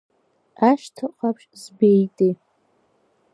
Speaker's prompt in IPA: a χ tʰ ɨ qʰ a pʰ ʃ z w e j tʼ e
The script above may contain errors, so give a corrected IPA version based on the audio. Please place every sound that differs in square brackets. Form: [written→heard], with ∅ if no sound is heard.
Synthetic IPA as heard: a [χ→ʃ] tʰ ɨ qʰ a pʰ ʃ z [w→b] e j tʼ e